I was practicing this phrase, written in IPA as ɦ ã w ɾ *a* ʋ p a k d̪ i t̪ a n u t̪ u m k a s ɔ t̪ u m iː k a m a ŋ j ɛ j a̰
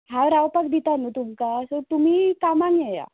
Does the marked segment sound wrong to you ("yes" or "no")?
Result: no